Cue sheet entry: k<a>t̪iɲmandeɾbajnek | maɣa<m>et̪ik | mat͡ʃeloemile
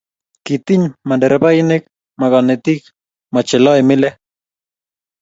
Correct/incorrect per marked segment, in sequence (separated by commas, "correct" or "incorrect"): incorrect, incorrect